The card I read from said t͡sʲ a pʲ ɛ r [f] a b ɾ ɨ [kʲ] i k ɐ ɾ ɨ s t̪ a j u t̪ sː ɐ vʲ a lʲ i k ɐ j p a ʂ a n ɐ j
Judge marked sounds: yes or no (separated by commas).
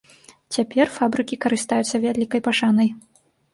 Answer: yes, yes